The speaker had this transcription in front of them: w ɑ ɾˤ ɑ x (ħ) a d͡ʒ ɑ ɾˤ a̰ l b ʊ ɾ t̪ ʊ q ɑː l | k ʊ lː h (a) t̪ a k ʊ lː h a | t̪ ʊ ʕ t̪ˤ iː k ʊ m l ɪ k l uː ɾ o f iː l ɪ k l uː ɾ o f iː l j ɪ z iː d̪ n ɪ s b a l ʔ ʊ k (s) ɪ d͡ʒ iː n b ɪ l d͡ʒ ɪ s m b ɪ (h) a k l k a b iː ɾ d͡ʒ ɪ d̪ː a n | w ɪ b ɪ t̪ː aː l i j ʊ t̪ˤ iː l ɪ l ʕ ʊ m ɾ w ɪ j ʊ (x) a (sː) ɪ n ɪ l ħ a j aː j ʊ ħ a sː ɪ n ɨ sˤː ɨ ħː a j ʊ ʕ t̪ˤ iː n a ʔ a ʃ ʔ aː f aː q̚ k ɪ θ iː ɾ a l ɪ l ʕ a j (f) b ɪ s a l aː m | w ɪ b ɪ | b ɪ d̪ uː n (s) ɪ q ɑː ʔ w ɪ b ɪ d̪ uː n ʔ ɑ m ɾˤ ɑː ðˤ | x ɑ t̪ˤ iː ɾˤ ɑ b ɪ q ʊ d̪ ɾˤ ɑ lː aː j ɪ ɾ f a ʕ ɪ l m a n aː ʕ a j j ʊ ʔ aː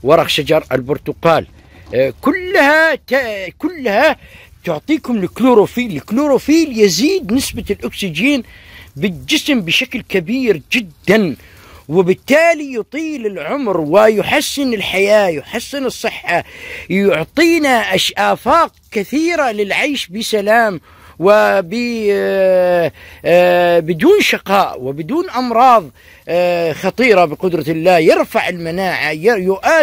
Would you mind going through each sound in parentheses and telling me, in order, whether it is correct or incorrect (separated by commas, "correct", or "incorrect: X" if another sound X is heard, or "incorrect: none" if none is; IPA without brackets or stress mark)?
incorrect: ʃ, correct, correct, incorrect: ʃ, incorrect: ħ, correct, incorrect: ʃ, incorrect: ʃ